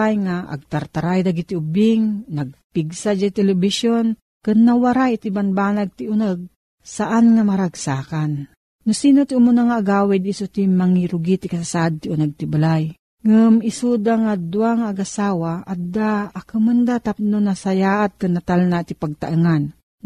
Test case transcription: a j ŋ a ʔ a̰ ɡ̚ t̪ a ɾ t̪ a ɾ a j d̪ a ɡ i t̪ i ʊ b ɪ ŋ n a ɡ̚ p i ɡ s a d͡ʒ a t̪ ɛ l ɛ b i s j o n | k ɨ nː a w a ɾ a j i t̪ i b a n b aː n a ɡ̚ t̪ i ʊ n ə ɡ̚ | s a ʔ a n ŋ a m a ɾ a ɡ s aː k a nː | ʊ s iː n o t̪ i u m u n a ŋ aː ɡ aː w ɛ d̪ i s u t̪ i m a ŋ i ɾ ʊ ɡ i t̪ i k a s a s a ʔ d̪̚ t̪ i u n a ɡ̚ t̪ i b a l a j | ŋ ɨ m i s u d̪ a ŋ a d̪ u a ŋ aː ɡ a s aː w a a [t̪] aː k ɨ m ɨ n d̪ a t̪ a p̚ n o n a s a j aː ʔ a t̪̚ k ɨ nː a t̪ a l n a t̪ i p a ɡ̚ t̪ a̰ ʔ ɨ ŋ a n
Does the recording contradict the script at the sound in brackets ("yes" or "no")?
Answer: yes